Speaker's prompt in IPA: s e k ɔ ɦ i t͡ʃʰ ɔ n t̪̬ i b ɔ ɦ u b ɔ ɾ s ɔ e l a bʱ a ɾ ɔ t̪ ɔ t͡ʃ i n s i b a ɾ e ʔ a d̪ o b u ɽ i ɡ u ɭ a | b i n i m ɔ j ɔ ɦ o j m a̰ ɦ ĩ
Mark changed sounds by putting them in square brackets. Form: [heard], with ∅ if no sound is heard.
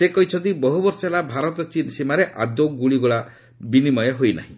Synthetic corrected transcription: s e k ɔ ɦ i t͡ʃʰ ɔ n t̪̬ i b ɔ ɦ u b ɔ ɾ s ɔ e l a bʱ a ɾ ɔ t̪ ɔ t͡ʃ i n s i [m] a ɾ e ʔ a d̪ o [ɡ] u [ɭ] i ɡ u ɭ a | b i n i m ɔ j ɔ ɦ o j [n] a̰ ɦ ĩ